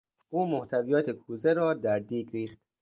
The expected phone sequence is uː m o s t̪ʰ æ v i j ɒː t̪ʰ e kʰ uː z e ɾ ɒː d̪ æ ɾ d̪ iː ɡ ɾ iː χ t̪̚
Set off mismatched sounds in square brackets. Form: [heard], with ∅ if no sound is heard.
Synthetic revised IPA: uː m o [h] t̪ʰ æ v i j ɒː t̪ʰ e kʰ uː z e ɾ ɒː d̪ æ ɾ d̪ iː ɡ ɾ iː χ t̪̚